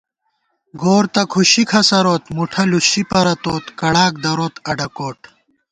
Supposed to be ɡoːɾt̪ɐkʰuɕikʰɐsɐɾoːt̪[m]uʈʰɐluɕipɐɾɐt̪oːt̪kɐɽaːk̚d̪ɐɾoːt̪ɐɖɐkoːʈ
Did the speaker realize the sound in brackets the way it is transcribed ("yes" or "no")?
yes